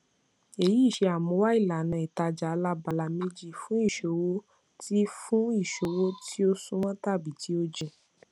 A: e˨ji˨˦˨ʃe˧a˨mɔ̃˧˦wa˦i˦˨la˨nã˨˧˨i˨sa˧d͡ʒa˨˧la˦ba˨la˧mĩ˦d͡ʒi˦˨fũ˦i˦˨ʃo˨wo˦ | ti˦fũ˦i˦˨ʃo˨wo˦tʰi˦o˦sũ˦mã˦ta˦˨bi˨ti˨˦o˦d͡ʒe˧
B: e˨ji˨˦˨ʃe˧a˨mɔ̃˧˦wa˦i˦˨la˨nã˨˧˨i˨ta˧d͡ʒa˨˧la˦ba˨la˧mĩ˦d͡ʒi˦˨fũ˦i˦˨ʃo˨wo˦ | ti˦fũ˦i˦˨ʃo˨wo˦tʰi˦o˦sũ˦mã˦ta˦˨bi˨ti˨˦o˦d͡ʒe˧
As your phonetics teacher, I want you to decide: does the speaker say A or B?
B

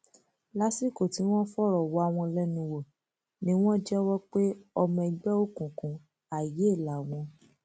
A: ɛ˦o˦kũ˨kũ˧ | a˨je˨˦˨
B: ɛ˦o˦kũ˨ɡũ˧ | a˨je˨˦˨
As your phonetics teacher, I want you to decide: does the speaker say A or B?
A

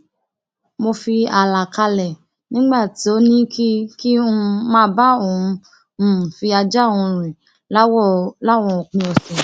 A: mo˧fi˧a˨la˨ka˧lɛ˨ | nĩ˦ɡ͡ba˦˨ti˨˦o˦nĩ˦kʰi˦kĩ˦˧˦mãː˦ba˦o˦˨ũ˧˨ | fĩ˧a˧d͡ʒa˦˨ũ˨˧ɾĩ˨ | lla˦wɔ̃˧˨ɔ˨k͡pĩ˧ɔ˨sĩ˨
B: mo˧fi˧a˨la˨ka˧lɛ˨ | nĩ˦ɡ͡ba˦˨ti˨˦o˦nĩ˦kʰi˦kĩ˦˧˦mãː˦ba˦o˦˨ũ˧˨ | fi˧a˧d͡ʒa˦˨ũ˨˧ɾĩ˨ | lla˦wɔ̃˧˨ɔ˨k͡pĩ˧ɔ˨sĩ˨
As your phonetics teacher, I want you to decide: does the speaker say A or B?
B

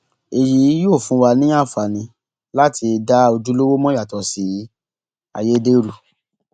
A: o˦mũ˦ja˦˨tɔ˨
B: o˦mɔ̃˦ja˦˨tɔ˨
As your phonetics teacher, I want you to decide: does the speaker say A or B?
B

